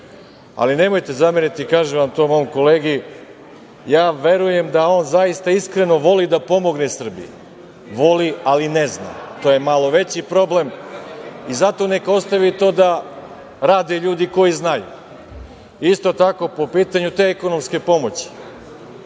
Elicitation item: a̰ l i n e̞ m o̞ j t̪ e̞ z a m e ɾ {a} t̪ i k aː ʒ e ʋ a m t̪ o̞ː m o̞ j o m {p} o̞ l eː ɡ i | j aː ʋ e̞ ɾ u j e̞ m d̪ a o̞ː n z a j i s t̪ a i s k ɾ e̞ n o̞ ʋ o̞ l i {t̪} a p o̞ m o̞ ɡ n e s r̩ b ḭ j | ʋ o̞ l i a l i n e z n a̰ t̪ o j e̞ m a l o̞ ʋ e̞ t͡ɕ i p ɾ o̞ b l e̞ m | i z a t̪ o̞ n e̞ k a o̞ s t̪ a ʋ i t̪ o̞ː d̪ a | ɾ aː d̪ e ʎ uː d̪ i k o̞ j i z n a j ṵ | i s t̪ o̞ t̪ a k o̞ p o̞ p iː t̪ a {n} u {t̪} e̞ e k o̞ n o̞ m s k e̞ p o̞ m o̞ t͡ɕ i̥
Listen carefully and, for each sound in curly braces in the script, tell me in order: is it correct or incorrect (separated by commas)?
incorrect, incorrect, incorrect, incorrect, correct